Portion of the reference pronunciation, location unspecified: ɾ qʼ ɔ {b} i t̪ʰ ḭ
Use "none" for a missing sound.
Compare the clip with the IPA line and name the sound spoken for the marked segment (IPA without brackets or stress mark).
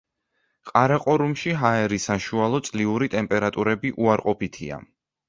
p